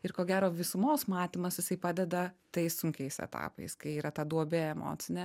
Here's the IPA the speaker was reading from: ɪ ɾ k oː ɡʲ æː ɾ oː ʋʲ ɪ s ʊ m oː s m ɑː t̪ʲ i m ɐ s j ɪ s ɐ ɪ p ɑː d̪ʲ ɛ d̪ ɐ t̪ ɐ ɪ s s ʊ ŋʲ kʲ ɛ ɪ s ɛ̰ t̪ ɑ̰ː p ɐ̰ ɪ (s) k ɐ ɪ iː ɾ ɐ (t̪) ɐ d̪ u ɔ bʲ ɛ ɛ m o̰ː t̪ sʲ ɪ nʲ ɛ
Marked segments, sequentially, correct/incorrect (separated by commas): correct, correct